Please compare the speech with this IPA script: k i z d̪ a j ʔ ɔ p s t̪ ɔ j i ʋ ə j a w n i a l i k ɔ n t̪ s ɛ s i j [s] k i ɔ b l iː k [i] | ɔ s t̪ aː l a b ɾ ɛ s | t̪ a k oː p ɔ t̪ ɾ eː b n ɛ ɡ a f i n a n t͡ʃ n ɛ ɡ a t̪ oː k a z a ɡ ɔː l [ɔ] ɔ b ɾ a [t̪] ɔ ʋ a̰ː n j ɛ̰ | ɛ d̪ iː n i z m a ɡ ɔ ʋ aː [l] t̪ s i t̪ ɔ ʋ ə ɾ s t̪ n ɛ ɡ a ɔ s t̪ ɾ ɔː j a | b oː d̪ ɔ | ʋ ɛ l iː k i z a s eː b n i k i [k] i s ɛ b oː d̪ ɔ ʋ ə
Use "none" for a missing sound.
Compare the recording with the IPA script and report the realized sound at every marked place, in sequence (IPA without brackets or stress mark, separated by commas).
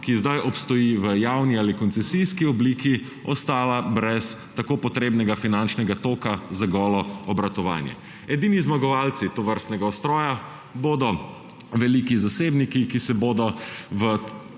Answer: s, i, ɔ, t̪, l, k